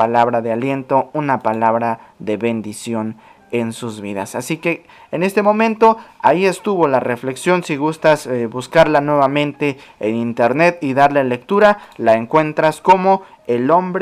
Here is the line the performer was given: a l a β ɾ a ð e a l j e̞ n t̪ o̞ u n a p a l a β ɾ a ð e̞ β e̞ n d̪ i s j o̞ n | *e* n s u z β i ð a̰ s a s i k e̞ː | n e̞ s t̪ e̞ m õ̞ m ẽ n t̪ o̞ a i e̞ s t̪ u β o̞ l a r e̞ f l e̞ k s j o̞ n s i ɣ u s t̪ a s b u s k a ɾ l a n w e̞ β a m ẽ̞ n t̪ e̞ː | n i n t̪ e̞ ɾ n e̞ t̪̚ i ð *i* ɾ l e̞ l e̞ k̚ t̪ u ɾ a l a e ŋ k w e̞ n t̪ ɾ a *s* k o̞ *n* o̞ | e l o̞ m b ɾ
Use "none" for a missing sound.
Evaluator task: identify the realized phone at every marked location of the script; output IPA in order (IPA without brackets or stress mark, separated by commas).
e, a, s, m